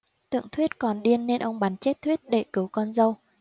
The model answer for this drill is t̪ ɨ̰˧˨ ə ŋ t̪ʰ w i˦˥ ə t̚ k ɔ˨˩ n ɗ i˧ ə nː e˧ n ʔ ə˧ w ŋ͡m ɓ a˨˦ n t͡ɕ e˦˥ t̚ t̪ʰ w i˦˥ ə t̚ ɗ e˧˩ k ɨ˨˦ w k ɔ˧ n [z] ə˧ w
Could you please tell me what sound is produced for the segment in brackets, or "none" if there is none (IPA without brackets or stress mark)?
z